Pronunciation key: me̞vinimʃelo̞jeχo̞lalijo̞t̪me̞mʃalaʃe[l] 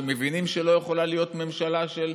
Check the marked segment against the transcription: correct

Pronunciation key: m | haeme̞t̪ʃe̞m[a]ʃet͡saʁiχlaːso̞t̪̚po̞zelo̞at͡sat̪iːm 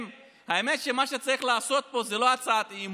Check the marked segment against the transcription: correct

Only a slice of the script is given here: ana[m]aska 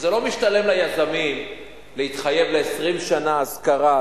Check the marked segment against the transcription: incorrect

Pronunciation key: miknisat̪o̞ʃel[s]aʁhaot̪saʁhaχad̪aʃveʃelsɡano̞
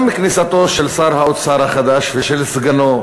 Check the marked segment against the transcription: correct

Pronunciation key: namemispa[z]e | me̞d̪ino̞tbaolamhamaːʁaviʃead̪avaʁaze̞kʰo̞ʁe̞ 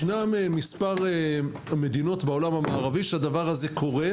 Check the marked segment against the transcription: incorrect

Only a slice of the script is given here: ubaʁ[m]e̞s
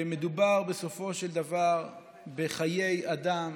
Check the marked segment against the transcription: incorrect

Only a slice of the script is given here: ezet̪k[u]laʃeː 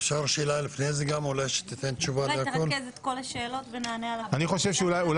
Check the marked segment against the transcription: incorrect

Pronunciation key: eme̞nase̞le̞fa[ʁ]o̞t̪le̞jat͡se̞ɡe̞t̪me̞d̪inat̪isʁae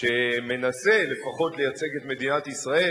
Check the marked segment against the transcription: incorrect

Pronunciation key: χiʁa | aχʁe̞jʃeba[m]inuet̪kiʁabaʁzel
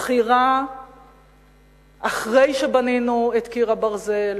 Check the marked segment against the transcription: incorrect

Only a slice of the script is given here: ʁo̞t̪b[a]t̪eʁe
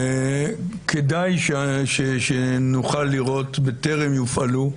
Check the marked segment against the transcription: incorrect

